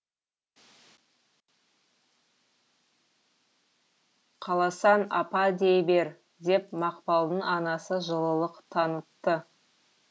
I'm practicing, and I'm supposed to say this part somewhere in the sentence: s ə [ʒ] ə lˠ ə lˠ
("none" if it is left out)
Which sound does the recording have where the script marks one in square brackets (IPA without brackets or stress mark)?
ʒ